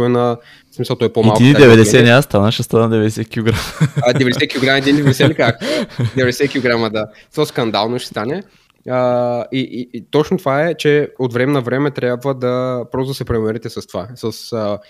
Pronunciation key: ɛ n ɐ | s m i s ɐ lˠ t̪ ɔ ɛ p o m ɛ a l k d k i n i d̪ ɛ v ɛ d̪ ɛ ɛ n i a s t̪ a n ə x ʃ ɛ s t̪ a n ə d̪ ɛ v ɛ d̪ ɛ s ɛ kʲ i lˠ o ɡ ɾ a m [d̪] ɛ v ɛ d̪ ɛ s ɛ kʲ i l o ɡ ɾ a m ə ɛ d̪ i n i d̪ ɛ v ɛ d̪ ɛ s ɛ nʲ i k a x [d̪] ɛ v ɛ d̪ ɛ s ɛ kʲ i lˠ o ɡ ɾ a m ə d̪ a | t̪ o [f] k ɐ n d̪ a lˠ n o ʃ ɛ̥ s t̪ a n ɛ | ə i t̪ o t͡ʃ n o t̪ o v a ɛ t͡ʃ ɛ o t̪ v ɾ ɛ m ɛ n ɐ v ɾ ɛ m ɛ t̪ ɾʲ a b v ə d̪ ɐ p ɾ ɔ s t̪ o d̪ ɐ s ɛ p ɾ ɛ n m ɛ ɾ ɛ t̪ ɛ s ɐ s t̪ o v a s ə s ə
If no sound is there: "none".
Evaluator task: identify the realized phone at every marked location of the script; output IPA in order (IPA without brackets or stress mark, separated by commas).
d̪, d̪, s